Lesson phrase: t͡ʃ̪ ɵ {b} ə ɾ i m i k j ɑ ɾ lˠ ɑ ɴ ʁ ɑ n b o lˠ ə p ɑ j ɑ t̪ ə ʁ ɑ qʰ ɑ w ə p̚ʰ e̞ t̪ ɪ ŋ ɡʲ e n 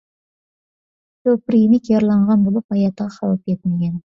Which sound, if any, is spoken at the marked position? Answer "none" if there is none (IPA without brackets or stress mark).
p